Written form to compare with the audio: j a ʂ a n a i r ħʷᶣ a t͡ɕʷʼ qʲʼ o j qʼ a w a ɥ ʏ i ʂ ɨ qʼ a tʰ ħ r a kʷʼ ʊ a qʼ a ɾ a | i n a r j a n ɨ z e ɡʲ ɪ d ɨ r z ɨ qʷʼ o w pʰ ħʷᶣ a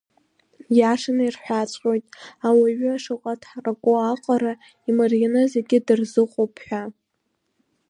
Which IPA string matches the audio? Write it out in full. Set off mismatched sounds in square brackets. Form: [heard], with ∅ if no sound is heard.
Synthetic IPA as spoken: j a ʂ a n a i r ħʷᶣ a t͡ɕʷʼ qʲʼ o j [tʼ] a w a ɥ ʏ [a] ʂ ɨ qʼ a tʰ ħ r a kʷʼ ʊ a qʼ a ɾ a | i [m] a r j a n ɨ z e ɡʲ ɪ d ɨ r z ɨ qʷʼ o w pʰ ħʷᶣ a